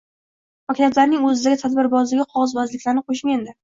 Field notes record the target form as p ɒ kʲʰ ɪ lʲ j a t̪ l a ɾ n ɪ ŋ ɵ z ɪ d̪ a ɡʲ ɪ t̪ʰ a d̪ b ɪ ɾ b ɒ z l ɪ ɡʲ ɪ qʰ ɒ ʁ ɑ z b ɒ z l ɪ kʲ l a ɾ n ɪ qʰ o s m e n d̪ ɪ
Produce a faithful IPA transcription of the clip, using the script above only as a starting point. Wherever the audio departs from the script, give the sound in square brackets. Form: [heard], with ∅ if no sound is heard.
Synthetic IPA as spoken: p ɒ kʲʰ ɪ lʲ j a t̪ l a ɾ n ɪ ŋ ɵ z ɪ d̪ a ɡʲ ɪ t̪ʰ a d̪ b ɪ ɾ b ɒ z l ɪ ɡʲ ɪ qʰ ɒ ʁ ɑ z b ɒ z l ɪ kʲ l a ɾ n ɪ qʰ o [ʃ] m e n d̪ ɪ